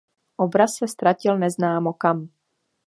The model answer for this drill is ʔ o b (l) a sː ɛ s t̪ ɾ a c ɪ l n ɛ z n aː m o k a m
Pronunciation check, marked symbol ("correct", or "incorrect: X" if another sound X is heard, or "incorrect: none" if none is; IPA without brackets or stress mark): incorrect: ɾ